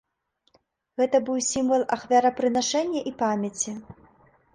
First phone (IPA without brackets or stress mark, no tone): ɣ